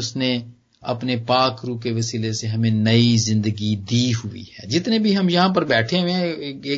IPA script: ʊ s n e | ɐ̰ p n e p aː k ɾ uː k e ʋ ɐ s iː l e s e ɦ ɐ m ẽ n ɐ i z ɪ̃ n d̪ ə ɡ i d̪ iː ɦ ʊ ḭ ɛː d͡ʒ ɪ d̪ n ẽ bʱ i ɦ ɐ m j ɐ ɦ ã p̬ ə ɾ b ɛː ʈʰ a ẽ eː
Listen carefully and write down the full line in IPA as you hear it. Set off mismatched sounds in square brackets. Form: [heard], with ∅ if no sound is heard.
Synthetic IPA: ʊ s n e | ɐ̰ p n e p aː k ɾ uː k e ʋ ɐ s iː l e s e ɦ ɐ m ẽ n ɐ i z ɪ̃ n d̪ ə ɡ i d̪ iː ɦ ʊ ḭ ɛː d͡ʒ ɪ [t̪] n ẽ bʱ i ɦ ɐ m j ɐ ɦ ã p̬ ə ɾ b ɛː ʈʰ [e] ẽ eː